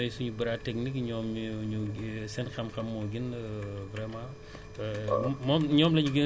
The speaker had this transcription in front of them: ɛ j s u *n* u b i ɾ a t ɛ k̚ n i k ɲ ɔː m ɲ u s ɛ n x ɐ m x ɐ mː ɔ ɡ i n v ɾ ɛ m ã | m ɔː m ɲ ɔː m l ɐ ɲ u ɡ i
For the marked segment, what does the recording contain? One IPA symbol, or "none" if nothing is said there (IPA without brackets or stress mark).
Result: ɲ